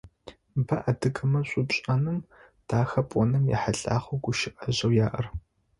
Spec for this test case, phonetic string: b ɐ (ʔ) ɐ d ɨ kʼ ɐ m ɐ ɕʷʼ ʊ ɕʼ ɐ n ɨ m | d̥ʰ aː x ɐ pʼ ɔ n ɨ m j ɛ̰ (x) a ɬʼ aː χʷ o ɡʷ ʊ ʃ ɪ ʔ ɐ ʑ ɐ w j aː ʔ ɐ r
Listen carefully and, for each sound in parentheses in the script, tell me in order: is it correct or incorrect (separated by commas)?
correct, incorrect